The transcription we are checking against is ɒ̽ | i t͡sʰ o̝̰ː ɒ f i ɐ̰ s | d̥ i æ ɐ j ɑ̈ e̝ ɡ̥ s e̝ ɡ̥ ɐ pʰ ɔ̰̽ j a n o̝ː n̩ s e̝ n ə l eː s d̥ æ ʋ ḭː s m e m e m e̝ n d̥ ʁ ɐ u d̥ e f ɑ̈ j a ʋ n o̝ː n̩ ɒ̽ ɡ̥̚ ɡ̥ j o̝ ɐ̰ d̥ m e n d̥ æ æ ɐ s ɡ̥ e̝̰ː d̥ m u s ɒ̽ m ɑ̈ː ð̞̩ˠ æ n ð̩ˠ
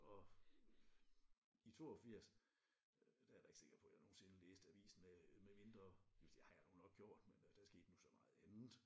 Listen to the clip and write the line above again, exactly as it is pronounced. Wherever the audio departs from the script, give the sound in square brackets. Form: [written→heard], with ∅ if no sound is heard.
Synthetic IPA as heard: ɒ̽ | i t͡sʰ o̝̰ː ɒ f i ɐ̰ s | d̥ [i→æ] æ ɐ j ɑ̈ e̝ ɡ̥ s e̝ ɡ̥ ɐ pʰ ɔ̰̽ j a n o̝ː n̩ s e̝ n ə l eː s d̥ æ ʋ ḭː s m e m e m e̝ n d̥ ʁ ɐ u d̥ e [f→h] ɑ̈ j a [ʋ→∅] n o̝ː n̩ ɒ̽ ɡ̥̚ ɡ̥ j o̝ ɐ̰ d̥ m e n d̥ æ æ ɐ s ɡ̥ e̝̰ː d̥ [m→n] u s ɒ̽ m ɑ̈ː ð̞̩ˠ æ n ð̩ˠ